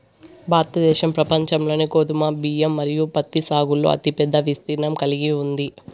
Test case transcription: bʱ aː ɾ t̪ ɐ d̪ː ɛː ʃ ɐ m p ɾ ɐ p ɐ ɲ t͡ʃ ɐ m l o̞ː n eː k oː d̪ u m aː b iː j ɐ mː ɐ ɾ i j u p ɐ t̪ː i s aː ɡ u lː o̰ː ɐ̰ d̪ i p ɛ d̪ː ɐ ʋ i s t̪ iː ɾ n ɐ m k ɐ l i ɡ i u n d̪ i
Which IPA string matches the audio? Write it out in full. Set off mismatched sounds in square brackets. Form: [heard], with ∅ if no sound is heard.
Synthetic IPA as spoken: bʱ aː ɾ t̪ ɐ [d̪] ɛː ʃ ɐ m p ɾ ɐ p ɐ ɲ t͡ʃ ɐ m l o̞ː n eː k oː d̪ u m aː b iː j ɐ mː ɐ ɾ i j u p ɐ t̪ː i s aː ɡ u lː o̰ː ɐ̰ [t̪] i p ɛ d̪ː ɐ ʋ i s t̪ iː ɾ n ɐ m k ɐ l i ɡ i u n d̪ i